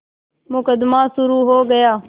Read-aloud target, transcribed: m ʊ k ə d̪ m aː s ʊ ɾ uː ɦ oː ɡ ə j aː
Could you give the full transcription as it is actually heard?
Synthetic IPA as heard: m ʊ k ə d̪ m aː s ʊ ɾ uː ɦ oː ɡ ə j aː